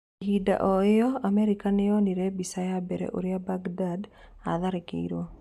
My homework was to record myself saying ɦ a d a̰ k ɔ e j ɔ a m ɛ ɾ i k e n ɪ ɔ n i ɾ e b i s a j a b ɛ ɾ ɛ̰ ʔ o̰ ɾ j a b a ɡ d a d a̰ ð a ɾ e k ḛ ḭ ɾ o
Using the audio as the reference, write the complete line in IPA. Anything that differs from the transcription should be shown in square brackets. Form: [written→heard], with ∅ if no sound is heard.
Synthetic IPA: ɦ [a→i] d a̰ [k→ʔ] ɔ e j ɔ a m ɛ ɾ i k [e→a] n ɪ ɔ n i ɾ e b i s a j a b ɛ ɾ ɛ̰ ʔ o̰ ɾ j a b a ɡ d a d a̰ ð a ɾ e k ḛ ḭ ɾ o